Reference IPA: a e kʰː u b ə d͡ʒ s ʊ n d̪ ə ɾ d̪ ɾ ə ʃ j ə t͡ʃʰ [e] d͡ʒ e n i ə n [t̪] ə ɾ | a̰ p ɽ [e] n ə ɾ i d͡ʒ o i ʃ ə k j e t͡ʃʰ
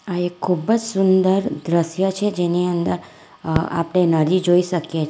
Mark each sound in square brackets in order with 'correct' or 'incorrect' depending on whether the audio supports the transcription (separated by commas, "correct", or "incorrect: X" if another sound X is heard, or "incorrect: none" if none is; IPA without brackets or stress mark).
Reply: correct, incorrect: d̪, correct